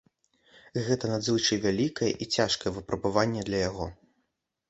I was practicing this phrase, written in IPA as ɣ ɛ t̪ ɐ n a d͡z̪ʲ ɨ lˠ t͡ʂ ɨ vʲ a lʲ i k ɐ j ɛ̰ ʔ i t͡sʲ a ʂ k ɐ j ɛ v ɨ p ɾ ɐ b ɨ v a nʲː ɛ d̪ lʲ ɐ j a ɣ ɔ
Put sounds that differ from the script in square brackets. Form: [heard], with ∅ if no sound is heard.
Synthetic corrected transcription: ɣ ɛ t̪ ɐ n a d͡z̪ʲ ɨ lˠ t͡ʂ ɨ vʲ a lʲ i k ɐ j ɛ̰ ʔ i t͡sʲ a ʂ k ɐ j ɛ v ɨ p ɾ ɐ b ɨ v a nʲː ɛ d̪ lʲ ɐ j a ɣ ɔ